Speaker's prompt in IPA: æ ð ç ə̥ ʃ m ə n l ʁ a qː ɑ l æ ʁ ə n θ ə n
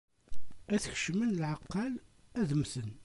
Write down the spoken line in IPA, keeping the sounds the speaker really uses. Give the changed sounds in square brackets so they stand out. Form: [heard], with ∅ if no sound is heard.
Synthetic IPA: æ [θ] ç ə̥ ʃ m ə n l [ʕ] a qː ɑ l æ [ð] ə [m] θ ə n